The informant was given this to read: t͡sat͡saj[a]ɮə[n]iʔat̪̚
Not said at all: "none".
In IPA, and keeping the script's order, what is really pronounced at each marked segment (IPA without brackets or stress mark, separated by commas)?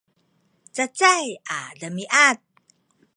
a, m